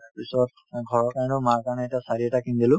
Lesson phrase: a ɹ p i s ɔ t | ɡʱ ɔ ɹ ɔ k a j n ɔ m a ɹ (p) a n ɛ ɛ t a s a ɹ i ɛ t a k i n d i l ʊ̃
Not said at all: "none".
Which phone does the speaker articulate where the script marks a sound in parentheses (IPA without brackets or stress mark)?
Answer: k